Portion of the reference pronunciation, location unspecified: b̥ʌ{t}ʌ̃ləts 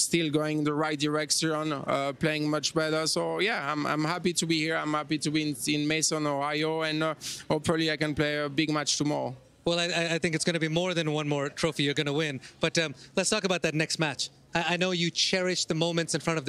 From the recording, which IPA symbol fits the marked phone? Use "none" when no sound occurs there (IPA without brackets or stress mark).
t